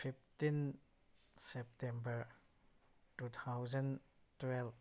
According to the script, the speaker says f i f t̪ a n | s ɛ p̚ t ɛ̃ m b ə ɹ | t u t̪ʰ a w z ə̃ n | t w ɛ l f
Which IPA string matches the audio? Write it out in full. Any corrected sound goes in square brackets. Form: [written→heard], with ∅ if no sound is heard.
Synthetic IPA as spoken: f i f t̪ [a→i] n | s ɛ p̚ t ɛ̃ m b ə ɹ | t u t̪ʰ a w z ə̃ n | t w ɛ l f